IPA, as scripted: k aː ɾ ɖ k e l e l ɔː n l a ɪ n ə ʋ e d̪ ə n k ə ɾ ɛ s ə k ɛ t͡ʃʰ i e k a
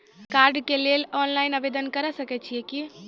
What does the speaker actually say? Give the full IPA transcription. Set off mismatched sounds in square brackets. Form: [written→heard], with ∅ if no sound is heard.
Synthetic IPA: k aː ɾ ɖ k e l e l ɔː n l a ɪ n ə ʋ e d̪ ə n k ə ɾ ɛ s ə k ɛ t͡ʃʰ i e k [a→i]